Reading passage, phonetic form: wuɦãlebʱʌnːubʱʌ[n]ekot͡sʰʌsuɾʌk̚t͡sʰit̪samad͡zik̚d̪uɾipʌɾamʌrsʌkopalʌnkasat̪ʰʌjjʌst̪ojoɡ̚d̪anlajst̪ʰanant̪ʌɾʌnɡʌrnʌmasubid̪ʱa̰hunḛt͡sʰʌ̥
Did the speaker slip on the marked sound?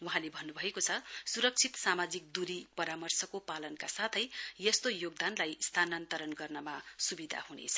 yes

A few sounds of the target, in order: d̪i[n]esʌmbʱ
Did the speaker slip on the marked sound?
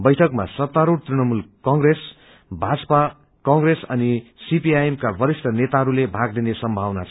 no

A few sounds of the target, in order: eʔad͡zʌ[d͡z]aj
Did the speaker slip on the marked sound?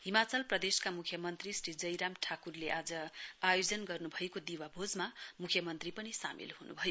yes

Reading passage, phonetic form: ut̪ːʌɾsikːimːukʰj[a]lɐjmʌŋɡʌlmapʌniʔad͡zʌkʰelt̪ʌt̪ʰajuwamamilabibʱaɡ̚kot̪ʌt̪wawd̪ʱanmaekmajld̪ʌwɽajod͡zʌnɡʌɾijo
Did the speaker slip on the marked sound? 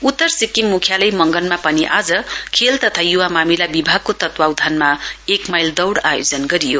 no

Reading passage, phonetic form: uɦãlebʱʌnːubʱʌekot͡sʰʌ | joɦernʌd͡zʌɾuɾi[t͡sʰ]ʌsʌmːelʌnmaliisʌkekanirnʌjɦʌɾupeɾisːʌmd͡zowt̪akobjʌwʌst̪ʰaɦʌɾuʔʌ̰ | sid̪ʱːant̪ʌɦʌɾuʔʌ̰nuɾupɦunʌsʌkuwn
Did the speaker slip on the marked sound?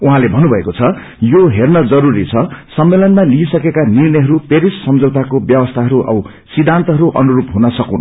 no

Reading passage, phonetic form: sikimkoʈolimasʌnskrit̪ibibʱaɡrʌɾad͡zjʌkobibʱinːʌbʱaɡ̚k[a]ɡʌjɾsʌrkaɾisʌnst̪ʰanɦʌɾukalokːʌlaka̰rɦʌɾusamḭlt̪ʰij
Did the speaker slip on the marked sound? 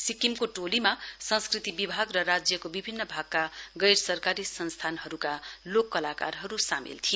no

